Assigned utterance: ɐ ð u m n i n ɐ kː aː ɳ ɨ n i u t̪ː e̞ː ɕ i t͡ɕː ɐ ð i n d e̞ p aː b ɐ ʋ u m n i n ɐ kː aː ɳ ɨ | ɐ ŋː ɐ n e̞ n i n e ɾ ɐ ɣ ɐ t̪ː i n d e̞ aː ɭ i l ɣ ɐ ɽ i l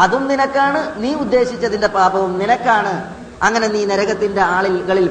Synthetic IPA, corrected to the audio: ɐ ð u m n i n ɐ kː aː ɳ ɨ n iː u d̪ː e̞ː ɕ i t͡ɕː ɐ ð i n d e̞ p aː b ɐ ʋ u m n i n ɐ kː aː ɳ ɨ | ɐ ŋː ɐ n e̞ n iː n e ɾ ɐ ɣ ɐ t̪ː i n d e̞ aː ɭ i l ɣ ɐ ɭ i l